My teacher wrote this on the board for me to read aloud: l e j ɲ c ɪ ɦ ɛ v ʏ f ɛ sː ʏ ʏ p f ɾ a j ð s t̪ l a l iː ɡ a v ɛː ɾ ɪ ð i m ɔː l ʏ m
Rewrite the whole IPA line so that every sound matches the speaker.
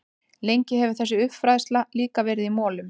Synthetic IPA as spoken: l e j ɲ c ɪ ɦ ɛ v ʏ θ ɛ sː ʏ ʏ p f ɾ a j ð s t̪ l a l iː k a v ɛː ɾ ɪ ð i m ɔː l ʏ m